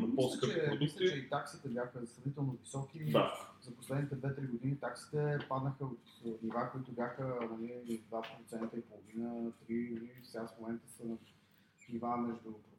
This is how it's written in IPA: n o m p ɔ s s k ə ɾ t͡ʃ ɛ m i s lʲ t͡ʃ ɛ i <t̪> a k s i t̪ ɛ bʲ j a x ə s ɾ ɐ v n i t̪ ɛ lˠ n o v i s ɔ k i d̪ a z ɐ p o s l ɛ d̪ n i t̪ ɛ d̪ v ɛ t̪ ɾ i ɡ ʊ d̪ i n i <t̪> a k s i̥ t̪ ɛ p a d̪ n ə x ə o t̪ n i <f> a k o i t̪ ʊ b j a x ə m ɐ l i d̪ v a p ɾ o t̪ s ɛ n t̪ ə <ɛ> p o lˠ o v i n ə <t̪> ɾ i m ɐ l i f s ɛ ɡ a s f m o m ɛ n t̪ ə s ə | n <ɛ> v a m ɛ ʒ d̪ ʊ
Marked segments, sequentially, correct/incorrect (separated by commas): correct, correct, incorrect, incorrect, correct, incorrect